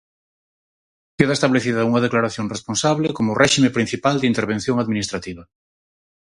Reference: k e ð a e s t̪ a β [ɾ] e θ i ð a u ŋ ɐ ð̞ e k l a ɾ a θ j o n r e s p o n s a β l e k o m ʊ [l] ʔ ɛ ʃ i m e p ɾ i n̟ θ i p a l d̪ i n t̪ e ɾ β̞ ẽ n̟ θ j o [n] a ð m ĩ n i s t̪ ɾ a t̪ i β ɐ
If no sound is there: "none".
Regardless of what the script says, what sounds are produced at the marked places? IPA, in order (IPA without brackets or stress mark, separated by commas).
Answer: l, r, ŋ